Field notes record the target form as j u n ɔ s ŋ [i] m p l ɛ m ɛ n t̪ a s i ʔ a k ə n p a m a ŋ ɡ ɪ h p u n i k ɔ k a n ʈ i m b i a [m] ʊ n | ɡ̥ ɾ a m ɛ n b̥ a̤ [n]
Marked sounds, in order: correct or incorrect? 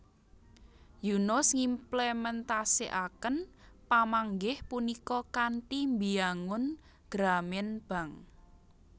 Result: correct, incorrect, incorrect

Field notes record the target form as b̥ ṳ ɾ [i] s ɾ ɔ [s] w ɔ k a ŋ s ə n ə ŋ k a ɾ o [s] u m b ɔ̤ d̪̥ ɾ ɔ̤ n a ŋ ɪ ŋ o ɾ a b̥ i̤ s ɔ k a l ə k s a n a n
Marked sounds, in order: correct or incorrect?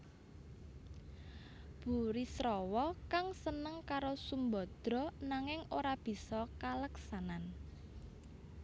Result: correct, incorrect, correct

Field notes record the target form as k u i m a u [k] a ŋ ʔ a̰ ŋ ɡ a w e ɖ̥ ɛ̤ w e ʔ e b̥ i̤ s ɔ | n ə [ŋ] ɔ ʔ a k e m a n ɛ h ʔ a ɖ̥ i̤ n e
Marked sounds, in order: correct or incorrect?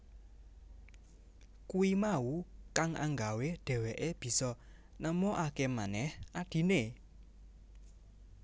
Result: correct, incorrect

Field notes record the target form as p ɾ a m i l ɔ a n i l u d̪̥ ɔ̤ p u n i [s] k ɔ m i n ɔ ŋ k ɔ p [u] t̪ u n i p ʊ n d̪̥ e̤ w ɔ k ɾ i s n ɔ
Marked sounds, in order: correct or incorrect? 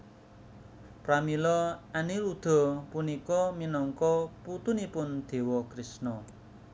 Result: incorrect, correct

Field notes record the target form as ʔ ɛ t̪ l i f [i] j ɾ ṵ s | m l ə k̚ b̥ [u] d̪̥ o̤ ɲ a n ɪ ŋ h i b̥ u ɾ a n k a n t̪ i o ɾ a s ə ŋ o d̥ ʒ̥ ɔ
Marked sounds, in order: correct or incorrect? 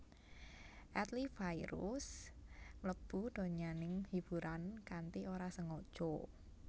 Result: incorrect, correct

